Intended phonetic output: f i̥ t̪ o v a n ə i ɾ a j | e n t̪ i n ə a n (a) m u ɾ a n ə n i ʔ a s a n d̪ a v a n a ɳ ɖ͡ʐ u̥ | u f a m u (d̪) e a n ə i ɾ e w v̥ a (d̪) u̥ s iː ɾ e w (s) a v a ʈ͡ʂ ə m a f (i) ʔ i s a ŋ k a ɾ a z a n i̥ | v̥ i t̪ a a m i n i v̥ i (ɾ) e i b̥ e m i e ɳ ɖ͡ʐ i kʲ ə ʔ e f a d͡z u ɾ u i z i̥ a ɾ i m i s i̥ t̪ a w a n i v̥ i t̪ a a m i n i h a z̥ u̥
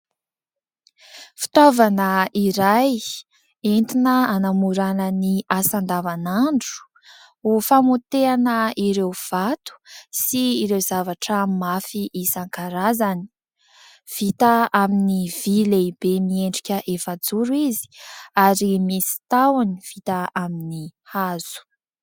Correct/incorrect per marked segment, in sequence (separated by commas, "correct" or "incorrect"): correct, incorrect, incorrect, incorrect, correct, incorrect